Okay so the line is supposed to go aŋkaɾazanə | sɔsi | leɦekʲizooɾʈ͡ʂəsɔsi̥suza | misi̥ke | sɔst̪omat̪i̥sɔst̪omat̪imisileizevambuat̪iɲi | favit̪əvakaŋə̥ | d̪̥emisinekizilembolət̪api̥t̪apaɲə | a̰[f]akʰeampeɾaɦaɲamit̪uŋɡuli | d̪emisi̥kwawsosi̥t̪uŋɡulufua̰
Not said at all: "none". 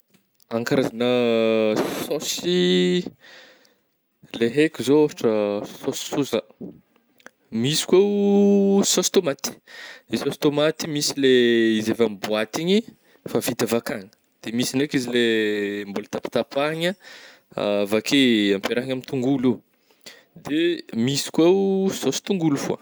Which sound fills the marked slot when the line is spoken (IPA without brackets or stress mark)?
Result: v